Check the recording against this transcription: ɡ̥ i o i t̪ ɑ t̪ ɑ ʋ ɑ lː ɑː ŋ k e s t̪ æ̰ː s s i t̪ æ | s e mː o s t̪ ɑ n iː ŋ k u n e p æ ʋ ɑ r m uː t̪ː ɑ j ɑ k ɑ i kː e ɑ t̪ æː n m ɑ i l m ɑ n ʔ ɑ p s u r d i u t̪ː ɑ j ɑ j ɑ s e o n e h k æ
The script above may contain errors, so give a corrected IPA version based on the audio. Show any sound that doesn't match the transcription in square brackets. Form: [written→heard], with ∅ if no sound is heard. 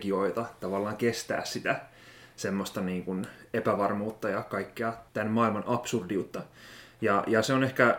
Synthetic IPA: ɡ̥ i o i t̪ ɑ t̪ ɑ ʋ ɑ lː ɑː ŋ k e s t̪ æ̰ː s s i t̪ æ | s e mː o s t̪ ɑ n iː ŋ k u n e p æ ʋ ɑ r m uː t̪ː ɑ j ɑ k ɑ i kː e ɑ t̪ [æː→æ] n m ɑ i l m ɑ n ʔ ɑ p s u r d i u t̪ː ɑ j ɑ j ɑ s e o n e h k æ